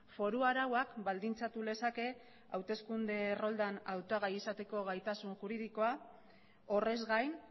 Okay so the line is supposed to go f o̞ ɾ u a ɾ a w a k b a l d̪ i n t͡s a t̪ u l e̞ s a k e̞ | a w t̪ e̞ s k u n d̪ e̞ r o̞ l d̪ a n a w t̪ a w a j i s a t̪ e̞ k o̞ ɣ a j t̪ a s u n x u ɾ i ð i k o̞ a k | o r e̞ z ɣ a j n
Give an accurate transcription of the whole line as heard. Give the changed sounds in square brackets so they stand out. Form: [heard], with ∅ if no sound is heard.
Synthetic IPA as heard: f o̞ ɾ u a ɾ a w a k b a l d̪ i n t͡s a t̪ u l e̞ s a k e̞ | a w t̪ e̞ s k u n d̪ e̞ r o̞ l d̪ a n a w t̪ a [ɣ] a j i s a t̪ e̞ k o̞ ɣ a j t̪ a s u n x u ɾ i ð i k o̞ a [∅] | o r e̞ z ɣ a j n